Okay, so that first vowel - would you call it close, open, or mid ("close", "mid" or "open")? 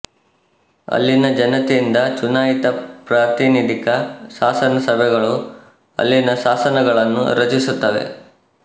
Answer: open